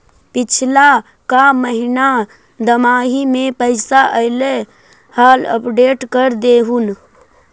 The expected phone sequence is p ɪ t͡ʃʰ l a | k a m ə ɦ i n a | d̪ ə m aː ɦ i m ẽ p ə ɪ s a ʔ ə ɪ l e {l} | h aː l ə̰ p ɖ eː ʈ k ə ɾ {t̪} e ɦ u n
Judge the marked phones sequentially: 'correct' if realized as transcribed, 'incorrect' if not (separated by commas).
incorrect, incorrect